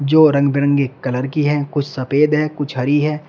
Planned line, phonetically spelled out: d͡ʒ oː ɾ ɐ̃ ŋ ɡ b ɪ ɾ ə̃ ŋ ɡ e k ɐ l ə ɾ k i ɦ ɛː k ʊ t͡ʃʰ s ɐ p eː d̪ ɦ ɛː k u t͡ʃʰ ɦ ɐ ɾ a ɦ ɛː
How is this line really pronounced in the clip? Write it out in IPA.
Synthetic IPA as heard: d͡ʒ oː ɾ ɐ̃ ŋ ɡ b ɪ ɾ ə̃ ŋ ɡ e k ɐ l ə ɾ k i ɦ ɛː k ʊ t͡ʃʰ s ɐ p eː d̪ ɦ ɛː k ʊ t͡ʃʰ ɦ ɐ ɾ i ɦ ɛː